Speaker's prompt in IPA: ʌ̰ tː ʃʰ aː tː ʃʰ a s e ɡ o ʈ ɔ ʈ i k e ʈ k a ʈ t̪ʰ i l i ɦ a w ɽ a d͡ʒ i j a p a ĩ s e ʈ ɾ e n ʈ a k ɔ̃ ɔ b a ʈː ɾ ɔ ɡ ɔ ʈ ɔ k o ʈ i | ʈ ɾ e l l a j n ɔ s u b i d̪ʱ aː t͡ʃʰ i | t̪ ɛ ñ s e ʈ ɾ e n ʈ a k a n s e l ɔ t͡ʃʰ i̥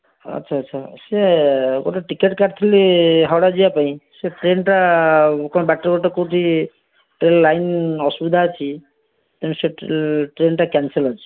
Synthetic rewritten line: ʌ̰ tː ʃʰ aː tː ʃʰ a s e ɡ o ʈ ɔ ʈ i k e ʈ k a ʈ t̪ʰ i l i ɦ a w ɽ a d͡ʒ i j a p a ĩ s e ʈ ɾ e n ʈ a k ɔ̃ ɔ b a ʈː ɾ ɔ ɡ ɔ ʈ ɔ k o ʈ i | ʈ ɾ e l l a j n ɔ s u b i d̪ʱ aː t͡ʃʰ i | t̪ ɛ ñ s e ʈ ɾ e n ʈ a k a n s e l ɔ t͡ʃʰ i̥

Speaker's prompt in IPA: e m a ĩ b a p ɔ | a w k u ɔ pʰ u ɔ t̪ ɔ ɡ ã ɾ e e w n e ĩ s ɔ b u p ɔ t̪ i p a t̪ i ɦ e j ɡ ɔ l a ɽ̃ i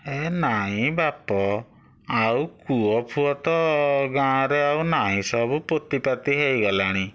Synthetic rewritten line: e n a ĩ b a p ɔ | a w k u ɔ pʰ u ɔ t̪ ɔ ɡ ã ɾ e a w n a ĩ s ɔ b u p o t̪ i p a t̪ i ɦ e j ɡ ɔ l a ɽ̃ i

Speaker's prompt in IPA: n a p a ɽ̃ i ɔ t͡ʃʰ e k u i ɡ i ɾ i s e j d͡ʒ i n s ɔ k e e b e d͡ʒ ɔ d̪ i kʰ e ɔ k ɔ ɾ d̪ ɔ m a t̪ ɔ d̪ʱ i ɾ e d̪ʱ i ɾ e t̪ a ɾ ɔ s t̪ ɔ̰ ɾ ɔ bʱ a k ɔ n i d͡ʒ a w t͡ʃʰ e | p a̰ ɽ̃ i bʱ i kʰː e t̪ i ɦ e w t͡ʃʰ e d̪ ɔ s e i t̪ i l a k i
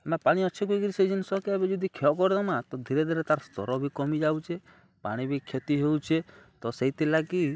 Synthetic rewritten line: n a p a ɽ̃ i ɔ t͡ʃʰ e k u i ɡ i ɾ i s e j d͡ʒ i n s ɔ k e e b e d͡ʒ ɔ d̪ i kʰ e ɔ k ɔ ɾ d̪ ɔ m a t̪ ɔ d̪ʱ i ɾ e d̪ʱ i ɾ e t̪ a ɾ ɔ s t̪ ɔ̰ ɾ ɔ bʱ i k ɔ m i d͡ʒ a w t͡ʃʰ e | p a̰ ɽ̃ i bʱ i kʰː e t̪ i ɦ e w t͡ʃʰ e t̪ ɔ s e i t̪ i l a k i

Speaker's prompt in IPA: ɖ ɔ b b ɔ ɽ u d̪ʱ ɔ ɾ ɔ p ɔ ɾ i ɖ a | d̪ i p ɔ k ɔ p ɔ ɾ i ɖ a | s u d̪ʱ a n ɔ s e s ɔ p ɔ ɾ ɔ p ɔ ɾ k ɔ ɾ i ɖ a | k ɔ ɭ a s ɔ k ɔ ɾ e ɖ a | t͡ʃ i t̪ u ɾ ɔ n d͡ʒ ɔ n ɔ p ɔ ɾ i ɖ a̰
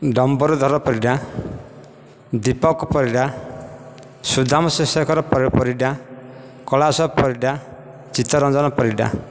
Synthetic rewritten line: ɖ ɔ m b ɔ ɾ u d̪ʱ ɔ ɾ ɔ p ɔ ɾ i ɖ a | d̪ i p ɔ k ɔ p ɔ ɾ i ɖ a | s u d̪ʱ a m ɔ s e s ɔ k ɔ ɾ ɔ p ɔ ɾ p ɔ ɾ i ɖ a | k ɔ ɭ a s ɔ p ɔ ɾ i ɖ a | t͡ʃ i t̪ ɔ ɾ ɔ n d͡ʒ ɔ n ɔ p ɔ ɾ i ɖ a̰

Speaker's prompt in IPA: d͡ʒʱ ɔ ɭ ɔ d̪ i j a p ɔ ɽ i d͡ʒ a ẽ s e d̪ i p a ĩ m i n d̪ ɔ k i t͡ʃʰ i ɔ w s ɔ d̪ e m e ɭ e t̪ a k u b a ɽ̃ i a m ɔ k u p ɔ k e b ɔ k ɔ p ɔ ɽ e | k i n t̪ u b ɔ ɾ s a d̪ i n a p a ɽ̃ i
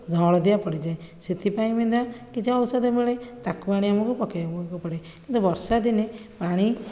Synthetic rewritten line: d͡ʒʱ ɔ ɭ ɔ d̪ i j a p ɔ ɽ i d͡ʒ a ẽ s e t̪ i p a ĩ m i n d̪ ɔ k i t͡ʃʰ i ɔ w s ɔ d̪ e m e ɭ e t̪ a k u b a ɽ̃ i a m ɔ k u p ɔ k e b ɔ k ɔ p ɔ ɽ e | k i n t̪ u b ɔ ɾ s a d̪ i n e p a ɽ̃ i

